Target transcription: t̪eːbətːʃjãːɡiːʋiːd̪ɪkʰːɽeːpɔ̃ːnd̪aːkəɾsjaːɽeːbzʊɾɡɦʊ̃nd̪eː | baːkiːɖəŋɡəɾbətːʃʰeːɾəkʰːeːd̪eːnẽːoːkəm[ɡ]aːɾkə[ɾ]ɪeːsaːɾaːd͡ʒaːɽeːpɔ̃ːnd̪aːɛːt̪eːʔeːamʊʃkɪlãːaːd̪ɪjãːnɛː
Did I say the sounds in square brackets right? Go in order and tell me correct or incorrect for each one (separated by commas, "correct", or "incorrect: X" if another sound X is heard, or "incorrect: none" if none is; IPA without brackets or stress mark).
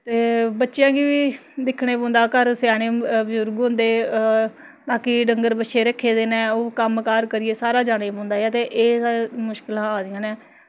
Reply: incorrect: k, correct